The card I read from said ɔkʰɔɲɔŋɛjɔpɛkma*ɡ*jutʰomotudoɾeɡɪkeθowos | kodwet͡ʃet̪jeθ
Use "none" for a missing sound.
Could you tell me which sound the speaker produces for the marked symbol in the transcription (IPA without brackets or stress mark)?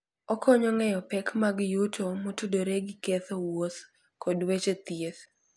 ɡ